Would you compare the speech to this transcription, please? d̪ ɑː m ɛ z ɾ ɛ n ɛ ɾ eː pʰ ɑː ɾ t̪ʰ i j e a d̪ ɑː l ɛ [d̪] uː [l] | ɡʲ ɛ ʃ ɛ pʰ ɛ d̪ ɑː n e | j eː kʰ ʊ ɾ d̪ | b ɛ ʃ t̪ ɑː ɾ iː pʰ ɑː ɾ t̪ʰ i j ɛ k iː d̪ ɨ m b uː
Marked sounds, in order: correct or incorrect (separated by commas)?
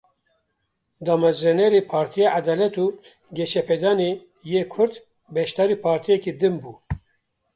incorrect, incorrect